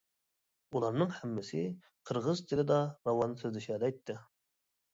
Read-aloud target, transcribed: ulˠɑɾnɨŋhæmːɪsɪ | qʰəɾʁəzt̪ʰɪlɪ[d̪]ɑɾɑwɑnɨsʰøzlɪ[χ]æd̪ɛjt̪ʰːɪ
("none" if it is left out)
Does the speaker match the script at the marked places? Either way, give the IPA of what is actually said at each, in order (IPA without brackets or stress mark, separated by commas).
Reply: d̪, ʃ